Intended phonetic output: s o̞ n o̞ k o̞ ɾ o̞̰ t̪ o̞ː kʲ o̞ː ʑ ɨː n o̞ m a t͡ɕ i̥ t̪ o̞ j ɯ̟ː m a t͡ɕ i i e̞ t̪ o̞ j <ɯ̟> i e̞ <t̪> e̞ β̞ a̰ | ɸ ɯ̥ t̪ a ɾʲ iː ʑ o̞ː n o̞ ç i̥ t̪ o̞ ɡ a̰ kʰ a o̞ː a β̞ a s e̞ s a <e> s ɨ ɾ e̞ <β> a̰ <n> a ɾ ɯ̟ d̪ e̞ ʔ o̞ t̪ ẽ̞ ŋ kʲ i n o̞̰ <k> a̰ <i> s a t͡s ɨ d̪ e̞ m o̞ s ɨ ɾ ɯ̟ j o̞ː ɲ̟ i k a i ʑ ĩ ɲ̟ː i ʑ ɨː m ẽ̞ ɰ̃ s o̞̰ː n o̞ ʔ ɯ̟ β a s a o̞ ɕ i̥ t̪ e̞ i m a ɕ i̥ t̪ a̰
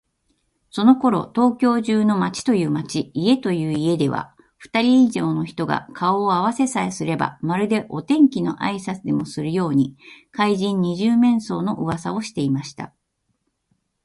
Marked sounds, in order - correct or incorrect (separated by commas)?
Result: incorrect, incorrect, correct, incorrect, incorrect, incorrect, correct